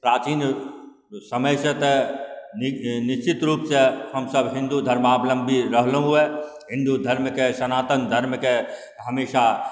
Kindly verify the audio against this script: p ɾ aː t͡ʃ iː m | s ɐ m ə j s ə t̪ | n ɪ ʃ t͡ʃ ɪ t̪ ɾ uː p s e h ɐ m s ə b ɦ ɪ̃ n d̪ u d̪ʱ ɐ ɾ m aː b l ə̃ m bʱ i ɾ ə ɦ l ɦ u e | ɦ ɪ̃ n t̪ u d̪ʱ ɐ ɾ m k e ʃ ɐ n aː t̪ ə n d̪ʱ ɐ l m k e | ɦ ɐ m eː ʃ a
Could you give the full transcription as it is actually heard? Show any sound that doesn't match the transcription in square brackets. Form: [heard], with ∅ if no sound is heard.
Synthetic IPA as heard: p ɾ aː t͡ʃ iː [n] | s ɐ m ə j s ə t̪ | n ɪ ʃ t͡ʃ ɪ t̪ ɾ uː p s e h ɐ m s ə b ɦ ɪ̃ n d̪ u d̪ʱ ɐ ɾ m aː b l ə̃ m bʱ i ɾ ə ɦ l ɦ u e | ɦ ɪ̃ n [d̪] u d̪ʱ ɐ ɾ m k e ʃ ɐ n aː t̪ ə n d̪ʱ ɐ [ɾ] m k e | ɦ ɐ m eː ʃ a